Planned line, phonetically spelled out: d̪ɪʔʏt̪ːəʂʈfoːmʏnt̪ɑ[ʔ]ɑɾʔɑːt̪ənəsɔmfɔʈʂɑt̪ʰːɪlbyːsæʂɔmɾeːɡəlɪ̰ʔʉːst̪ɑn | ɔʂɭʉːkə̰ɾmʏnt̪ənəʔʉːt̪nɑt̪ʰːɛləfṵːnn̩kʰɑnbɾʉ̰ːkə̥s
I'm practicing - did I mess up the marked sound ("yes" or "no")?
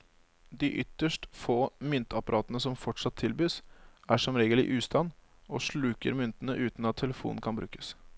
yes